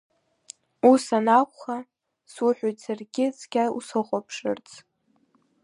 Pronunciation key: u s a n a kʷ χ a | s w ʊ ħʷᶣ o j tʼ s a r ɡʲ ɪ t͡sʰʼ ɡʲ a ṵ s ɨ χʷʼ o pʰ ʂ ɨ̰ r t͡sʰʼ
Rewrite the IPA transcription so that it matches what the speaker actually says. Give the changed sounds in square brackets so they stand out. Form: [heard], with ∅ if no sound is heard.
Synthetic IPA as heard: u s a n a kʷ χ a | s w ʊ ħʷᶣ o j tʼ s a r ɡʲ ɪ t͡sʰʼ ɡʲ a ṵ s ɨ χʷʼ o pʰ ʂ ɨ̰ r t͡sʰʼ